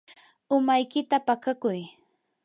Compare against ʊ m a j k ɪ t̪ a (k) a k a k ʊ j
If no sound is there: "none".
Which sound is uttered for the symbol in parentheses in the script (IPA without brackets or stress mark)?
p